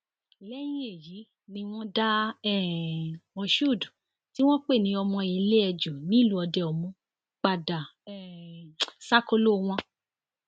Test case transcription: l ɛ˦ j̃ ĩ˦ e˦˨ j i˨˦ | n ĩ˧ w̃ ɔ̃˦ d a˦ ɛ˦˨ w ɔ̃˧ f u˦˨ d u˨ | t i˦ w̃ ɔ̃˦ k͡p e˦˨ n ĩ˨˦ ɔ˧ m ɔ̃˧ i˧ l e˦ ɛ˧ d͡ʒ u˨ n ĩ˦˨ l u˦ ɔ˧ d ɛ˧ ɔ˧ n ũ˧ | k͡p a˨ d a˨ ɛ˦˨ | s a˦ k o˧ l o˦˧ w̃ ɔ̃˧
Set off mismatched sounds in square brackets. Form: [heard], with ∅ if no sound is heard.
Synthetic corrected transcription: l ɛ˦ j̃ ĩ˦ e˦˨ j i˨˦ | n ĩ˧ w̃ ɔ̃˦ d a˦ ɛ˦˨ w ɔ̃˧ [ʃ] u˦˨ d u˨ | t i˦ w̃ ɔ̃˦ k͡p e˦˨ n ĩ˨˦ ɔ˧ m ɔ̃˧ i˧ l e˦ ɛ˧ d͡ʒ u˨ n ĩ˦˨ l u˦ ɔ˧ d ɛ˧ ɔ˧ [m] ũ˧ | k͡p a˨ d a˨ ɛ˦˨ | s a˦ k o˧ l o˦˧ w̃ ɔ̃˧